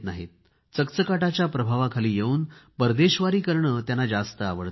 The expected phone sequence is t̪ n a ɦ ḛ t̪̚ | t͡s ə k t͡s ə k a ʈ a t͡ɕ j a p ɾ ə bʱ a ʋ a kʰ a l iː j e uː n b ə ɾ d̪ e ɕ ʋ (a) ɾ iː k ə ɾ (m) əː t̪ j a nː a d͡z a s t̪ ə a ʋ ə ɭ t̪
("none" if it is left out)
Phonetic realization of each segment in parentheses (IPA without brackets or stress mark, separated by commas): a, ɳ